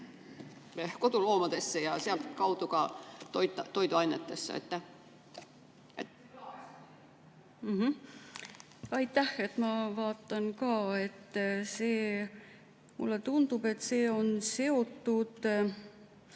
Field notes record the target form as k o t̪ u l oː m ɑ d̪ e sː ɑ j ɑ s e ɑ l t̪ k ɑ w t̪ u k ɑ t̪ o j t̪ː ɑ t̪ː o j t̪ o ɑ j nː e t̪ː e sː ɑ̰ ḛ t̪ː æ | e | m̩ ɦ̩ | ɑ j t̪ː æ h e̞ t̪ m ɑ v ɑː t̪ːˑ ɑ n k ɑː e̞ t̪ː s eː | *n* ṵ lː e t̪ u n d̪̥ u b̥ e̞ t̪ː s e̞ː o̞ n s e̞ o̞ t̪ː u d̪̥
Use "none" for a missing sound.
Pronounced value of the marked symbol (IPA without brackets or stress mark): m